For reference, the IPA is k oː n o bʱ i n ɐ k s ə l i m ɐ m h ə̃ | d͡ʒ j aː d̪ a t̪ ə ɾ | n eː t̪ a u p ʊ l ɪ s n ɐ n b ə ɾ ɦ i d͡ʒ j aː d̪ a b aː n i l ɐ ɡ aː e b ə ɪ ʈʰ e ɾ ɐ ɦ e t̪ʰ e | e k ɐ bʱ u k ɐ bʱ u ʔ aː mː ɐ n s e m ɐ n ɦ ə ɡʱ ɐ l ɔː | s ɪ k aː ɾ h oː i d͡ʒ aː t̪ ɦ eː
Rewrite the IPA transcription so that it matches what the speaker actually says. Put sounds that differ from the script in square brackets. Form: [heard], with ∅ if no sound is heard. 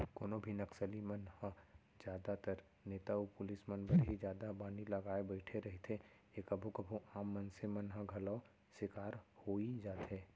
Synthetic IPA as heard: k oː n o bʱ i n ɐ k s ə l i m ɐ [n] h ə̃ | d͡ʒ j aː d̪ a t̪ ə ɾ | n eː t̪ a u p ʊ l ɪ s [m] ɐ n b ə ɾ ɦ i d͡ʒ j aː d̪ a b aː n i l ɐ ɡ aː e b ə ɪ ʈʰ e ɾ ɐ ɦ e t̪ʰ e | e k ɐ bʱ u k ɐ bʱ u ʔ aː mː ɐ n s e m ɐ n ɦ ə ɡʱ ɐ l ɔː | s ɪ k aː ɾ h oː i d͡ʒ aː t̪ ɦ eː